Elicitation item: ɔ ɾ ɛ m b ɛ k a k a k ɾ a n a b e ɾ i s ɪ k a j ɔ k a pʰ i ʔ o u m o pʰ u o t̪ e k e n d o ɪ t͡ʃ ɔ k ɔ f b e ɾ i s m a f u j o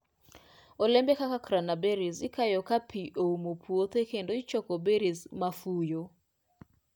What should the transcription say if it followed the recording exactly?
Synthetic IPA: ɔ l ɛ m b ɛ k a k a k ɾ a n a b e ɾ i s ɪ k a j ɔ k a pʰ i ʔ o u m o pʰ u o t̪ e k e n d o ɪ t͡ʃ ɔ k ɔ b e ɾ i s m a f u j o